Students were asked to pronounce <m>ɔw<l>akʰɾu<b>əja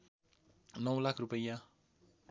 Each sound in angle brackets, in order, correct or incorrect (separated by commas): incorrect, correct, incorrect